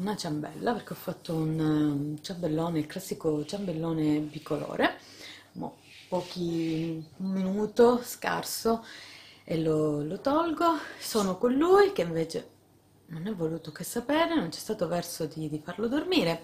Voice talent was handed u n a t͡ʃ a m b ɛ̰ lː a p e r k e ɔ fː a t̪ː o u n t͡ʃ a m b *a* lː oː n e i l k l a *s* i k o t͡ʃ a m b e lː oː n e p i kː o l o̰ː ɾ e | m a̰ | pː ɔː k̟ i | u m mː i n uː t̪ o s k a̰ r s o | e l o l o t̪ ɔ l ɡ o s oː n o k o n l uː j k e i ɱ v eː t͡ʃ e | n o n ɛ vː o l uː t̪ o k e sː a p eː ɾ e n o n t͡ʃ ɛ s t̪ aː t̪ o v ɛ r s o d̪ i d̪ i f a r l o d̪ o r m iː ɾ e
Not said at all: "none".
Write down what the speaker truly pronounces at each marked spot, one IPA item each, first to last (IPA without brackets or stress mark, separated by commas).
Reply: e, sː